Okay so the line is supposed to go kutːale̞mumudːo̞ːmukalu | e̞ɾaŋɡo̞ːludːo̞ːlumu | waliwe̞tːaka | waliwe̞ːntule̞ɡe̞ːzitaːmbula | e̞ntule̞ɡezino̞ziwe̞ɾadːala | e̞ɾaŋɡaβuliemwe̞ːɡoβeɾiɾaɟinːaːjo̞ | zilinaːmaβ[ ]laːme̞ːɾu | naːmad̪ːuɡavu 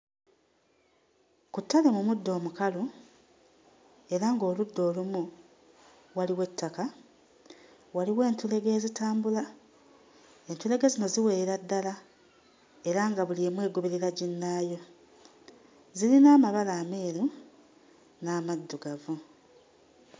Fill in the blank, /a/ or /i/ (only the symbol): a